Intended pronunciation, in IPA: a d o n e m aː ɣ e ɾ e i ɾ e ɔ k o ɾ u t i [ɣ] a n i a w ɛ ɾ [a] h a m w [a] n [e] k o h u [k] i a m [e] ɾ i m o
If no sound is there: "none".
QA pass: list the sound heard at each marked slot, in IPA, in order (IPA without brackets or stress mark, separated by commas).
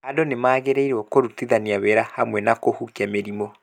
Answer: ð, a, ɛ, a, k, e